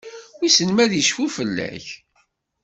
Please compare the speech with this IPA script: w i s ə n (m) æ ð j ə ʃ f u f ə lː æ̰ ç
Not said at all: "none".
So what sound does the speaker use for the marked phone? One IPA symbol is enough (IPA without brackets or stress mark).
m